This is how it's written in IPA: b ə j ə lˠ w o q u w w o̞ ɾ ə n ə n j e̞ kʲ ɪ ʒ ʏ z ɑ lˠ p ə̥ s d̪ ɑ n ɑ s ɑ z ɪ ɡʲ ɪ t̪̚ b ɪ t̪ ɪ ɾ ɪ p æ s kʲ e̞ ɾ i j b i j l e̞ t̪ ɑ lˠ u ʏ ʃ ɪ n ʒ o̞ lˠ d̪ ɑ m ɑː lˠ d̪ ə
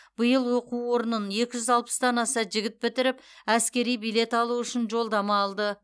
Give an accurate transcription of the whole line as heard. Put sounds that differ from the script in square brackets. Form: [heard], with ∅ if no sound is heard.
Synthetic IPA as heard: b ə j ə lˠ w o q u w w o̞ ɾ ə n ə n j e̞ kʲ ɪ ʒ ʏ z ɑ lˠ p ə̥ s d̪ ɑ n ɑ s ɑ [ʒ] ɪ ɡʲ ɪ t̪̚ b ɪ t̪ ɪ ɾ ɪ p æ s kʲ e̞ ɾ i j b i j l e̞ t̪ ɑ lˠ u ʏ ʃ ɪ n ʒ o̞ lˠ d̪ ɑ m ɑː lˠ d̪ ə